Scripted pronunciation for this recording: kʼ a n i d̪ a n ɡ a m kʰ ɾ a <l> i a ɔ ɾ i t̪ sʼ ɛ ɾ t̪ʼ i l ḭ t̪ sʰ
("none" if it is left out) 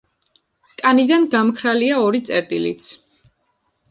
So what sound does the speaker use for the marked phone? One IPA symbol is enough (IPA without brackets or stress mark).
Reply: l